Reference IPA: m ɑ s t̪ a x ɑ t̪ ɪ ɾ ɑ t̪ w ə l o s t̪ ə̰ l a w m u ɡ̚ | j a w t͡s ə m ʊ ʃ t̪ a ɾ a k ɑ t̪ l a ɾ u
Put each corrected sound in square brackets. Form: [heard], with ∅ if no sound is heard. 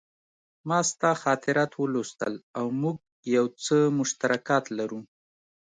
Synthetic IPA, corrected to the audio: m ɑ s t̪ [ɑ] x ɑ t̪ ɪ ɾ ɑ t̪ w ə l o s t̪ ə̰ l a w m u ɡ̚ | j a w t͡s ə m ʊ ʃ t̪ a ɾ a k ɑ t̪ l a ɾ u